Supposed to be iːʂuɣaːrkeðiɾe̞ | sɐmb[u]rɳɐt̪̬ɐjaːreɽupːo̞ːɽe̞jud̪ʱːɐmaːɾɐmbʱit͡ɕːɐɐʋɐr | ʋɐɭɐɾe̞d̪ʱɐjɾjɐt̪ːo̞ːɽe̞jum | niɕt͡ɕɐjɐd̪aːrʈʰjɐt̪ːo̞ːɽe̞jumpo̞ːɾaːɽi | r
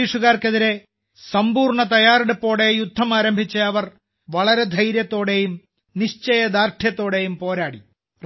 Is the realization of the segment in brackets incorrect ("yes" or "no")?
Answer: yes